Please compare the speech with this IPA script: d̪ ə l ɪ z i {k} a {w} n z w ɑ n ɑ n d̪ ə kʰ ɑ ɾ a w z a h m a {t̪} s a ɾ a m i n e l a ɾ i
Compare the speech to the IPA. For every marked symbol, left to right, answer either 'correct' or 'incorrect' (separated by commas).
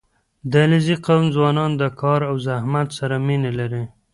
incorrect, correct, correct